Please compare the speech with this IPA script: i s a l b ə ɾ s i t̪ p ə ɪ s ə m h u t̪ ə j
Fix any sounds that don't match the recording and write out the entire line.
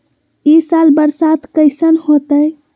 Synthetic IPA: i s a l b ə ɾ s a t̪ k ə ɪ s ə n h o t̪ ə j